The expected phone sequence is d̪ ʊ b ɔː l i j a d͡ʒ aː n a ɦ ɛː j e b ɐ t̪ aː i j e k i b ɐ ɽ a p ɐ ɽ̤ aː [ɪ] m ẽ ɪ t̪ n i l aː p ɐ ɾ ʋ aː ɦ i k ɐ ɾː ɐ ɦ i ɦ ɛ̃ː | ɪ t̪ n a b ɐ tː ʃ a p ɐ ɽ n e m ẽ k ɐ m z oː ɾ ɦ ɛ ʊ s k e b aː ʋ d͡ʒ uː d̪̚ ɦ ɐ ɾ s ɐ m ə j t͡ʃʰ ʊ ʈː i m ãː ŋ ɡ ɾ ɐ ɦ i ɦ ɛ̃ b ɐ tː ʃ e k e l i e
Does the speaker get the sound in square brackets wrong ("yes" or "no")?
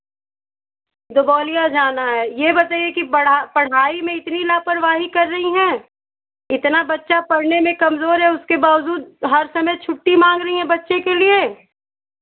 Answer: yes